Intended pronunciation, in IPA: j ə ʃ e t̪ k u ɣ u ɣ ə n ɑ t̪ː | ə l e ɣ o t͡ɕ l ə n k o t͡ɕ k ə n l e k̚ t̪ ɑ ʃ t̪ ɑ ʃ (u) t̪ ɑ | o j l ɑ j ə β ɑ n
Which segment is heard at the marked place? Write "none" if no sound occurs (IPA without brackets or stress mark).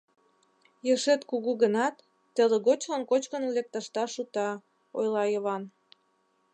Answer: u